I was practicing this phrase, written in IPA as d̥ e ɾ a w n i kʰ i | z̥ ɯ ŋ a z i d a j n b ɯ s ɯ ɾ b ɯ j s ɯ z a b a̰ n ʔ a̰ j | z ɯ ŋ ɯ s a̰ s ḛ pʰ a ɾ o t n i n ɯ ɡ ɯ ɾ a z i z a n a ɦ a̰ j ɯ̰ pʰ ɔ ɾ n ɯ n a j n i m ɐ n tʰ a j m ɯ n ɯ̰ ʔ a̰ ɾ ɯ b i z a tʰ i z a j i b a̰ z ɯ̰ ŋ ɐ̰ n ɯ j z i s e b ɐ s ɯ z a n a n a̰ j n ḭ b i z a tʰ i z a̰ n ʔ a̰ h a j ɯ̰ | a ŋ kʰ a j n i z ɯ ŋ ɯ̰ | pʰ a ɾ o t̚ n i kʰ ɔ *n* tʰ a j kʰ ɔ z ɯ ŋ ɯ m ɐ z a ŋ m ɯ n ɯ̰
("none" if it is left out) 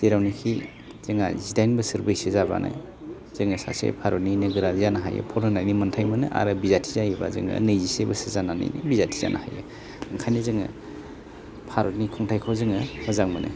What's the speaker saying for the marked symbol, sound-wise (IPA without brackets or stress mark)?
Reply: ŋ